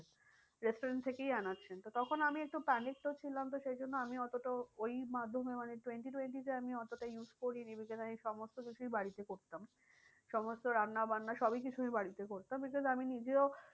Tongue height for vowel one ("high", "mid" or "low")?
mid